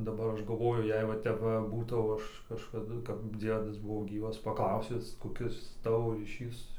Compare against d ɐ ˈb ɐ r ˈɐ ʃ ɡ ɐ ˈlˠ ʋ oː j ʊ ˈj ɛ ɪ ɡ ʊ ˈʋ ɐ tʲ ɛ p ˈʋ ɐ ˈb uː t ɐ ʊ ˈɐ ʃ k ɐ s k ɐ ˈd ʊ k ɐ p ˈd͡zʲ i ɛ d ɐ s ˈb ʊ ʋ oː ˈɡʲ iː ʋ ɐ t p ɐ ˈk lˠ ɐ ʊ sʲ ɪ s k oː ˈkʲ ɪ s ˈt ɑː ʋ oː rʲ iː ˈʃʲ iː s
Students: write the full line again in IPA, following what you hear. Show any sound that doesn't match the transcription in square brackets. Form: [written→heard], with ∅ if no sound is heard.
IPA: d ɐ ˈb ɐ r ˈɐ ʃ ɡ ɐ ˈlˠ ʋ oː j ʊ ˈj ɛ ɪ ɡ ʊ ˈʋ ɐ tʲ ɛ p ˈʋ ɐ ˈb uː t ɐ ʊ ˈɐ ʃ k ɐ [s→ʃ] k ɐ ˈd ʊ k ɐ p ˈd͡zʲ i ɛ d ɐ s ˈb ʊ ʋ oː ˈɡʲ iː ʋ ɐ [t→s] p ɐ ˈk lˠ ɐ ʊ sʲ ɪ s k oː ˈkʲ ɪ s ˈt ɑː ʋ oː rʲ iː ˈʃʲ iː s